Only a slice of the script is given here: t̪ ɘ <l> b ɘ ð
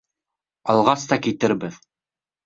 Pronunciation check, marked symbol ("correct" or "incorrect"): incorrect